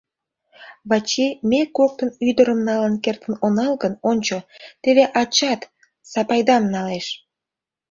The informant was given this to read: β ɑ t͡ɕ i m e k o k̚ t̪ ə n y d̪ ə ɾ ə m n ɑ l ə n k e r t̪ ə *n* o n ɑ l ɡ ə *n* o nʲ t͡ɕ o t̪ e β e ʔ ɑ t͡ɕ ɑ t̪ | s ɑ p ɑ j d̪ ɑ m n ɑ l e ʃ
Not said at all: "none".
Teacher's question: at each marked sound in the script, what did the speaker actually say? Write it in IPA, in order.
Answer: n, n

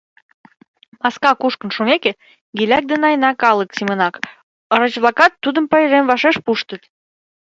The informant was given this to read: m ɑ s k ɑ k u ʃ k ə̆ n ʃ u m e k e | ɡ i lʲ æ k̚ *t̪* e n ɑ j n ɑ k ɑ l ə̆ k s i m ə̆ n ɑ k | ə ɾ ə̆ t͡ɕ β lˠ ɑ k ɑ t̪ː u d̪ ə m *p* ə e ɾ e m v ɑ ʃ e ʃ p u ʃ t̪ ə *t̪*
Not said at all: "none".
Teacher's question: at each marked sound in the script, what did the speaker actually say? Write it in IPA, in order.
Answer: d̪, p, t̪

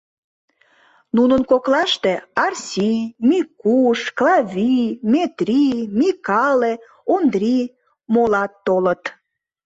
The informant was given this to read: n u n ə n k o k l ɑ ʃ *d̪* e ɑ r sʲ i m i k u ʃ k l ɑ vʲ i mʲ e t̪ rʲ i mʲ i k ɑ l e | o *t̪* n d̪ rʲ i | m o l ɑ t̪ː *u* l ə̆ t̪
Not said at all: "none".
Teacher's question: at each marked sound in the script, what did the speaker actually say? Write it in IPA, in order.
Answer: t̪, none, o

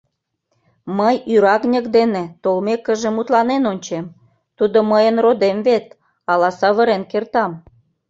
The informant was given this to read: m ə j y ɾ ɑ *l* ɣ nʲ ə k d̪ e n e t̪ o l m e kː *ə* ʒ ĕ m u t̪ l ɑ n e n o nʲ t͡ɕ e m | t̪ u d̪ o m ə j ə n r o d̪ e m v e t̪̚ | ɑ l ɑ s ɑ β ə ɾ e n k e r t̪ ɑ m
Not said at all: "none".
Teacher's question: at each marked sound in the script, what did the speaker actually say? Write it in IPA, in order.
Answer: none, ə

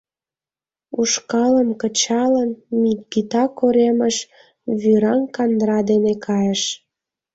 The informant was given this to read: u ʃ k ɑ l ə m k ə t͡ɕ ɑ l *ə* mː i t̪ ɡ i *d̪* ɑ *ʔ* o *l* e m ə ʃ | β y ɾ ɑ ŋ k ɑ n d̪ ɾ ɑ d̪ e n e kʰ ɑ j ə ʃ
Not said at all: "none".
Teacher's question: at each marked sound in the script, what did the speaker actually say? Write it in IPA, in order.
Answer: ə, t̪, k, ɾ

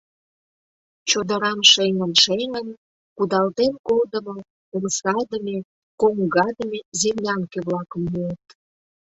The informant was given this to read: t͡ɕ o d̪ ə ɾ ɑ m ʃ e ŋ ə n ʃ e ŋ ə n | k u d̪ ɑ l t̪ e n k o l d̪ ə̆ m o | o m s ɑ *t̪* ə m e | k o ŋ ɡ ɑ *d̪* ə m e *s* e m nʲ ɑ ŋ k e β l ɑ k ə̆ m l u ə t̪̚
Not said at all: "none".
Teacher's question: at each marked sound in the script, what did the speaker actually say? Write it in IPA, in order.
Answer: d̪, d̪, z

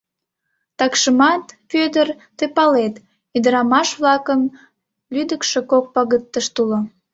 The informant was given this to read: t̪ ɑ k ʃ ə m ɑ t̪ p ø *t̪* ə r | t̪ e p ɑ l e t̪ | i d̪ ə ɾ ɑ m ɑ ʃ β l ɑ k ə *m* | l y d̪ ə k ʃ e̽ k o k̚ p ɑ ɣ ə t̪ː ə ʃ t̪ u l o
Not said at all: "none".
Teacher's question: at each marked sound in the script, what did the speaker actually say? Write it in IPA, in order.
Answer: d̪, m

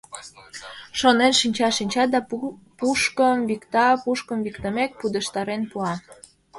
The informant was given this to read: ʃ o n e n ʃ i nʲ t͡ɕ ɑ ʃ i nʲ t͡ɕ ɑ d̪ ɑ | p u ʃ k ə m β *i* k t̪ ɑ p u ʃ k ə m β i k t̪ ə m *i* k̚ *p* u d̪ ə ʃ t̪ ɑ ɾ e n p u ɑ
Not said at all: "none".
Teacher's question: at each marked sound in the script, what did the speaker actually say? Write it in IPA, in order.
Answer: i, e, p

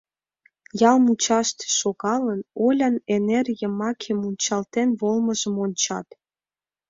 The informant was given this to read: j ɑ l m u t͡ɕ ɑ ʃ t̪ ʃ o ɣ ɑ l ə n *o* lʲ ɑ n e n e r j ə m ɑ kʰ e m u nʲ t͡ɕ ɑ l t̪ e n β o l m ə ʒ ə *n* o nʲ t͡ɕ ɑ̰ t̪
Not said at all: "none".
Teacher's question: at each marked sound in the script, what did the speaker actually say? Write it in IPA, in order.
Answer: o, m

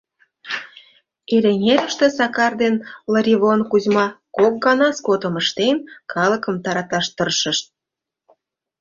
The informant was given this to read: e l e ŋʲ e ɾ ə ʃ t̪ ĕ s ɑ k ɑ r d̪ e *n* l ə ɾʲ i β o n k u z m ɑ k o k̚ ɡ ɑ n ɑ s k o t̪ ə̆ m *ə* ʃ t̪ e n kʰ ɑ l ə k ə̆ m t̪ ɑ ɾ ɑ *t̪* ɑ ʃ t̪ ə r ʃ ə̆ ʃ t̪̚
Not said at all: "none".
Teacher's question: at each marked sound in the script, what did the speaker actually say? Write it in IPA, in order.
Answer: n, ə, t̪

